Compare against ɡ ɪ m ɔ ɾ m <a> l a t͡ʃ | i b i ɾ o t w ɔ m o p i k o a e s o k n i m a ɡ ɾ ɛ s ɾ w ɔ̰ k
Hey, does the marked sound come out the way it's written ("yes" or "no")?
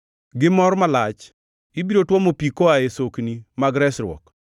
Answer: yes